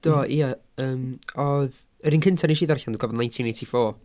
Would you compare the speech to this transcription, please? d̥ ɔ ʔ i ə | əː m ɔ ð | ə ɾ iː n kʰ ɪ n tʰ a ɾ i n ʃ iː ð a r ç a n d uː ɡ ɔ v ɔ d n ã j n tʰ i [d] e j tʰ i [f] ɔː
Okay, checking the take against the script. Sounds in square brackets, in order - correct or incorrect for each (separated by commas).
incorrect, correct